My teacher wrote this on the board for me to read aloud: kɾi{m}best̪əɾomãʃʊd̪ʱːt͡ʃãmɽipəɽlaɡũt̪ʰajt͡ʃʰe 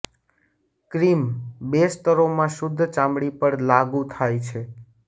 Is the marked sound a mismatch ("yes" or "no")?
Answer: no